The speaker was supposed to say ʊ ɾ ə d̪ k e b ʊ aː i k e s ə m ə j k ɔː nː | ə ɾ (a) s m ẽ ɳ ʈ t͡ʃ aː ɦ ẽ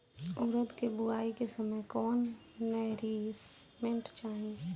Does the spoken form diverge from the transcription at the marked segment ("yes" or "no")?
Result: yes